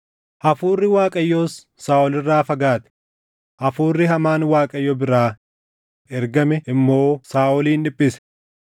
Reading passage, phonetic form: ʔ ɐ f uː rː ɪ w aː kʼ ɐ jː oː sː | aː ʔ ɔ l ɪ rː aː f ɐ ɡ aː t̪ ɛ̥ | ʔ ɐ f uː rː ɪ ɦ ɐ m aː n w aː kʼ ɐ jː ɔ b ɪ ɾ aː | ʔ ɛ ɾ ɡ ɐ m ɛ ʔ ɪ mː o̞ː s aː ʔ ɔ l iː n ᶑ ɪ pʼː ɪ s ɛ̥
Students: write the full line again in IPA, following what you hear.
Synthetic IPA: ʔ ɐ f uː rː ɪ w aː kʼ ɐ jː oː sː | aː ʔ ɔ l ɪ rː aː f ɐ ɡ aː t̪ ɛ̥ | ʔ ɐ f uː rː ɪ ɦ ɐ m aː n w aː kʼ ɐ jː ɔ b ɪ ɾ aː | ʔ ɛ ɾ ɡ ɐ m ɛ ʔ ɪ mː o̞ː s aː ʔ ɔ l iː n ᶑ ɪ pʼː ɪ s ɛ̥

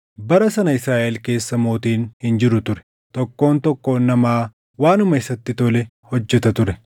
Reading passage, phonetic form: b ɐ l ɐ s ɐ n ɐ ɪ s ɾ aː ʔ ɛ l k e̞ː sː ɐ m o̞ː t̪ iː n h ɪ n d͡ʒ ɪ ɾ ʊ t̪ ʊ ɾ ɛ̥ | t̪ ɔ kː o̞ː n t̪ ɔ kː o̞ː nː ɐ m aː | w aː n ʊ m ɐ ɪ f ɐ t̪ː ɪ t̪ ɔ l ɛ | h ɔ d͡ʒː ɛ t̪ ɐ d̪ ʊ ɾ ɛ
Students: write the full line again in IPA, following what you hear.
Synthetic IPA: b ɐ ɾ ɐ s ɐ n ɐ ɪ s ɾ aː ʔ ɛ l k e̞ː sː ɐ m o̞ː t̪ iː n h ɪ n d͡ʒ ɪ ɾ ʊ t̪ ʊ ɾ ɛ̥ | t̪ ɔ kː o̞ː n t̪ ɔ kː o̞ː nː ɐ m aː | w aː n ʊ m ɐ ɪ s ɐ t̪ː ɪ t̪ ɔ l ɛ | h ɔ d͡ʒː ɛ t̪ ɐ t̪ ʊ ɾ ɛ

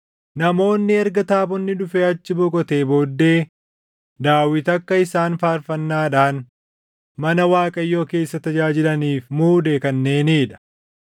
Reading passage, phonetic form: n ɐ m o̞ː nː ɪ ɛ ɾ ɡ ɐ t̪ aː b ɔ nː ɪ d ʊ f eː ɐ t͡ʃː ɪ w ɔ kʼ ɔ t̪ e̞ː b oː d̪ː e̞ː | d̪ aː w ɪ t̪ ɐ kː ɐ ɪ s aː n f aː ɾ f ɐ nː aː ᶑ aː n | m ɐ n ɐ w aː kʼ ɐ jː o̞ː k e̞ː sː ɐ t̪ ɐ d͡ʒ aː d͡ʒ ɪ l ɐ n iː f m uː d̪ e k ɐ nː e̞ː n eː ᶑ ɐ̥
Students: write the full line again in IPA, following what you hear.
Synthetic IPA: n ɐ m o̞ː nː ɪ ɛ ɾ ɡ ɐ t̪ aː b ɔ nː ɪ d ʊ f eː ɐ t͡ʃː ɪ b ɔ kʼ ɔ t̪ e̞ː b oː d̪ː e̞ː | d̪ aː w ɪ t̪ ɐ kː ɐ ɪ s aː n f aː ɾ f ɐ nː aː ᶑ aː n | m ɐ n ɐ w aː kʼ ɐ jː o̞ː k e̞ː sː ɐ t̪ ɐ d͡ʒ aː d͡ʒ ɪ l ɐ n iː f m uː d̪ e k ɐ nː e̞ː n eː ᶑ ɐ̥

